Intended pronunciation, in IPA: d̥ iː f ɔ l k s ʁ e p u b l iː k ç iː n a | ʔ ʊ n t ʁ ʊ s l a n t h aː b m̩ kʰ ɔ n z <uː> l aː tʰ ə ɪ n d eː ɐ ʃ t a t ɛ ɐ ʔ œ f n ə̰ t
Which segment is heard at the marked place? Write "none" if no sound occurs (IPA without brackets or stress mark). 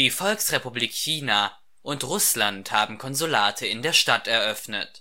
u